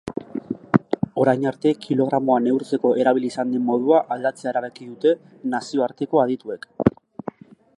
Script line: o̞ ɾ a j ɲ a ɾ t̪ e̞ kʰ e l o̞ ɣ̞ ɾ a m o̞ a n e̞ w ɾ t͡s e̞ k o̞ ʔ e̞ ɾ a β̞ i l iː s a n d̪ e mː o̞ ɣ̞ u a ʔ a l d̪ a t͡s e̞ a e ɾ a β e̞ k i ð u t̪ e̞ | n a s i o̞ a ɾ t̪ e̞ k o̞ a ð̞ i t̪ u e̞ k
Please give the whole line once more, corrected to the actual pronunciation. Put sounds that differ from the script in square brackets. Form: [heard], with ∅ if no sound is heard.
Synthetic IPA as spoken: o̞ ɾ a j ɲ a ɾ t̪ e̞ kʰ [i] l o̞ ɣ̞ ɾ a m o̞ a n e̞ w ɾ t͡s e̞ k o̞ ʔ e̞ ɾ a β̞ i l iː s a n d̪ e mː o̞ [ð̞] u a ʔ a l d̪ a t͡s e̞ a e ɾ a β e̞ k i ð u t̪ e̞ | n a s i o̞ a ɾ t̪ e̞ k o̞ a ð̞ i t̪ u e̞ k